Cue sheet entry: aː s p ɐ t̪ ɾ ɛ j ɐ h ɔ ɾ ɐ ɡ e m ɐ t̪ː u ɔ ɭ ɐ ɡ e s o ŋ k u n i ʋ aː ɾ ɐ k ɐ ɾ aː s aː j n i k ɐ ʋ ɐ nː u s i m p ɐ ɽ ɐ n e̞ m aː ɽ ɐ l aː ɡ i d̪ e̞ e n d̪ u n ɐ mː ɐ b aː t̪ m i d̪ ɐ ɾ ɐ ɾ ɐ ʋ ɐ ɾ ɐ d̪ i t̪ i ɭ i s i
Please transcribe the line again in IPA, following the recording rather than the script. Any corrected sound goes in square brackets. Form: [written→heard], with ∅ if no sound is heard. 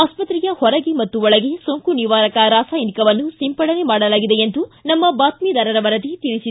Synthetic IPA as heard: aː s p ɐ t̪ ɾ [ɛ→i] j ɐ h ɔ ɾ ɐ ɡ e m ɐ t̪ː u ɔ ɭ ɐ ɡ e s o ŋ k u n i ʋ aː ɾ ɐ k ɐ ɾ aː s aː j n i k ɐ ʋ ɐ nː u s i m p ɐ ɽ ɐ n e̞ m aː ɽ ɐ l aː ɡ i d̪ e̞ e n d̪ u n ɐ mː ɐ b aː t̪ m i d̪ ɐ ɾ ɐ ɾ ɐ ʋ ɐ ɾ ɐ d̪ i t̪ i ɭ i s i